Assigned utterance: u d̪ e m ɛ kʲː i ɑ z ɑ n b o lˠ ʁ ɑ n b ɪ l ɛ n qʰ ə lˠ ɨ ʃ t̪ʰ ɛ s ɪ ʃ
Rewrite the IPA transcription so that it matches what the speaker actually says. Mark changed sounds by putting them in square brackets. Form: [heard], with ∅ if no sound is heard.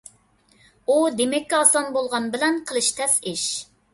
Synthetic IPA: u d̪ e m ɛ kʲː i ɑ [s] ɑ n b o lˠ ʁ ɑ n b ɪ l ɛ n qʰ ə lˠ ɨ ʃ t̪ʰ ɛ s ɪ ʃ

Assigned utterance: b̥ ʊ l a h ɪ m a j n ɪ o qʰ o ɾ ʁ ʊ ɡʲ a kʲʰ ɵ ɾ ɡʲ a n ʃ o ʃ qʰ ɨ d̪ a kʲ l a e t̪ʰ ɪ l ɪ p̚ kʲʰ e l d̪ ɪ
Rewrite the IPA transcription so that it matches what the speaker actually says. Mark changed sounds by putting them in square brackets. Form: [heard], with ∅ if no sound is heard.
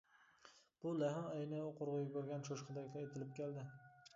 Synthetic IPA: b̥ ʊ l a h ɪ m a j n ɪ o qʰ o ɾ ʁ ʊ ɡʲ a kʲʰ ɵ ɾ ɡʲ a n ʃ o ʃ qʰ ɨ d̪ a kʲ l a e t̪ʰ ɪ l ɪ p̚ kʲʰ e l d̪ ɪ

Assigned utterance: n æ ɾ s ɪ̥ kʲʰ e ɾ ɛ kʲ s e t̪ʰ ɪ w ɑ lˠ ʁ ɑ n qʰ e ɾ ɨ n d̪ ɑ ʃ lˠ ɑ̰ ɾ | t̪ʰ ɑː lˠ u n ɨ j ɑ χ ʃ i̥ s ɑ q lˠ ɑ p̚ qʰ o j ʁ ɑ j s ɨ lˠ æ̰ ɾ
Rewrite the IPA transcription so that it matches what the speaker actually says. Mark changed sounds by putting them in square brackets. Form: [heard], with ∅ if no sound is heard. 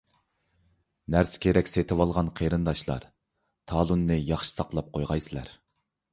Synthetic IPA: n æ ɾ s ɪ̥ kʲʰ e ɾ ɛ kʲ s e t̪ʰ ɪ w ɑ lˠ ʁ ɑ n qʰ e ɾ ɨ n d̪ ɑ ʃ lˠ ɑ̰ ɾ | t̪ʰ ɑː lˠ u [nː] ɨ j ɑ χ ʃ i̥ s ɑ q lˠ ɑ p̚ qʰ o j ʁ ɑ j s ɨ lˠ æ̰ ɾ

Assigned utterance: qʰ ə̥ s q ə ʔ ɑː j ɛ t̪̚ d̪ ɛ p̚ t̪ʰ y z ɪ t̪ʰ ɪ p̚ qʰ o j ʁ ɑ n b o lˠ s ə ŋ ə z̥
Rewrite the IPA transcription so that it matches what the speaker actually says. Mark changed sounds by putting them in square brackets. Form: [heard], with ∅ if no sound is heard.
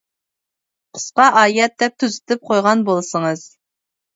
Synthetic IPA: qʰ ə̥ s q [ɑ] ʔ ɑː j ɛ t̪̚ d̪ ɛ p̚ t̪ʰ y z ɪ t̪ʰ ɪ p̚ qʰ o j ʁ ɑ n b o lˠ s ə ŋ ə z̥

